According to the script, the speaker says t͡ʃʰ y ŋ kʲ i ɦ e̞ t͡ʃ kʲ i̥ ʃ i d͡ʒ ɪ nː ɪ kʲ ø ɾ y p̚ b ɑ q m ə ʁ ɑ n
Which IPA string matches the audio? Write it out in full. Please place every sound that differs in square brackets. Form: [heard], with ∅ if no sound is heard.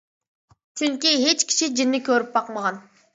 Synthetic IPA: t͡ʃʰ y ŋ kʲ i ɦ e̞ t͡ʃ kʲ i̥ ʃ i d͡ʒ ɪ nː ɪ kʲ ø ɾ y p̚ b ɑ q m [ɑ] ʁ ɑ n